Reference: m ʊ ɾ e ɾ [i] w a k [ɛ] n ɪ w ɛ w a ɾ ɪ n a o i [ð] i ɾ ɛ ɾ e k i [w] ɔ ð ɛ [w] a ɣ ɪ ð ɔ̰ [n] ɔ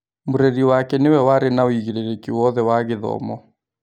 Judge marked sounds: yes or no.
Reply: yes, yes, no, yes, yes, no

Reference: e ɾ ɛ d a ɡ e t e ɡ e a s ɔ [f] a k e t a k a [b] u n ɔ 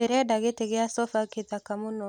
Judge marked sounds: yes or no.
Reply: yes, no

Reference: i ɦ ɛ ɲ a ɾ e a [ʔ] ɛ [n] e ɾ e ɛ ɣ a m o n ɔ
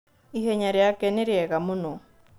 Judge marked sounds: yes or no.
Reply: no, yes

